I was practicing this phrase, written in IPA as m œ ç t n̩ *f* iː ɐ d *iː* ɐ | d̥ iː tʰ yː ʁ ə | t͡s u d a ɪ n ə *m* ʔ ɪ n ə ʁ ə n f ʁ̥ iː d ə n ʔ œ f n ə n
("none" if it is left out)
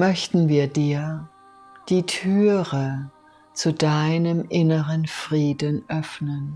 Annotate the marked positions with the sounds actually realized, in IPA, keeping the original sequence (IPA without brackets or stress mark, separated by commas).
v, iː, m